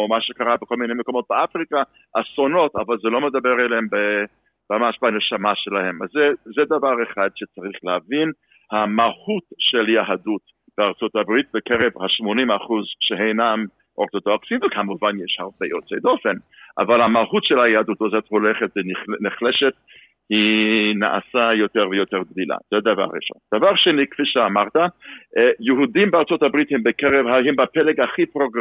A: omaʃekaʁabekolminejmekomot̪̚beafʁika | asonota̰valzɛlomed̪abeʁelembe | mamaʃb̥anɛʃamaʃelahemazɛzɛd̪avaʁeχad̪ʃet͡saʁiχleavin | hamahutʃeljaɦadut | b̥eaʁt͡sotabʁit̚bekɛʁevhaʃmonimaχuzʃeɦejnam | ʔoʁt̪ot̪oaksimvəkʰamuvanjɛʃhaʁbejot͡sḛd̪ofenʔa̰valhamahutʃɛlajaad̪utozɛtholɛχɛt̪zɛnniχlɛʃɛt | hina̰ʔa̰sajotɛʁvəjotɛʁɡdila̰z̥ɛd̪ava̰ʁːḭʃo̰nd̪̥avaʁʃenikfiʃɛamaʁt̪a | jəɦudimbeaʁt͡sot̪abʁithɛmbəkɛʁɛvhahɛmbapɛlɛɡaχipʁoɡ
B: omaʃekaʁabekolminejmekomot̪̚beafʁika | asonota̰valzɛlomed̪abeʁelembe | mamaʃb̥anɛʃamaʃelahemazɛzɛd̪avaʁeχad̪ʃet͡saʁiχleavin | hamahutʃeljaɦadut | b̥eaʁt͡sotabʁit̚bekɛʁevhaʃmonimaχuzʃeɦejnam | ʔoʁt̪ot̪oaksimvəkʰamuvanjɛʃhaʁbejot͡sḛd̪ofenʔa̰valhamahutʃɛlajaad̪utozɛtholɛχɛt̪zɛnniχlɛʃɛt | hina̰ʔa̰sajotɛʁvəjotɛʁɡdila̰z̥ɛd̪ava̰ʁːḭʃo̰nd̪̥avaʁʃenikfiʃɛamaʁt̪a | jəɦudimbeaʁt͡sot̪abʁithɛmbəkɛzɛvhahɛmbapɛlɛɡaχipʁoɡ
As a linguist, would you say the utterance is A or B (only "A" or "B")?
A